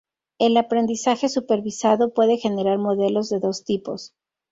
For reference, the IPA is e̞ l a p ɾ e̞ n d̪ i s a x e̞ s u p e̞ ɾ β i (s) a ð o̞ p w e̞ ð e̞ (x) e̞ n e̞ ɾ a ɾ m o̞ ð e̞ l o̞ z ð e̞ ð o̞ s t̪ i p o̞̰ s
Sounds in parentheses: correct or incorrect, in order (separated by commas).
correct, correct